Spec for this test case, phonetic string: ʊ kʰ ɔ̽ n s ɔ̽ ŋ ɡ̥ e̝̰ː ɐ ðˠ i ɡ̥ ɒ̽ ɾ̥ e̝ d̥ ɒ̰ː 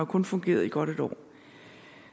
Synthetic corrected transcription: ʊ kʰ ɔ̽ n f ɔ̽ ŋ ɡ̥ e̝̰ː ɐ ðˠ i ɡ̥ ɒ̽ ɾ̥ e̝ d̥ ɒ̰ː